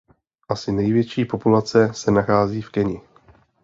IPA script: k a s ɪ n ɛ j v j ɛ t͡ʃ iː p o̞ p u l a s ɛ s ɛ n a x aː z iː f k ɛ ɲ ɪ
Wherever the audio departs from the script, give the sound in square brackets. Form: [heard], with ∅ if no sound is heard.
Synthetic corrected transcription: [ʔ] a s ɪ n ɛ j v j ɛ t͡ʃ iː p o̞ p u l a [t͡s] ɛ s ɛ n a x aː z iː f k ɛ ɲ ɪ